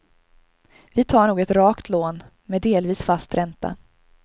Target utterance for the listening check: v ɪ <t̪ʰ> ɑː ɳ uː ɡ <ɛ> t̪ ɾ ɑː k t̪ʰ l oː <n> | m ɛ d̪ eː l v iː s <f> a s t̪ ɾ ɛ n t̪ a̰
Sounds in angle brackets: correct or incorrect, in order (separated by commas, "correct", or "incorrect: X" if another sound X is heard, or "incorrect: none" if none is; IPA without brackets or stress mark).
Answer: correct, correct, correct, correct